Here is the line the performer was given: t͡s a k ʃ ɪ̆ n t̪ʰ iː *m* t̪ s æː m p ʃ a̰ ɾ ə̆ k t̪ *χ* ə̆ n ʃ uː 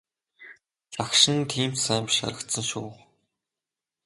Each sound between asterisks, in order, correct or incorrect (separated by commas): correct, incorrect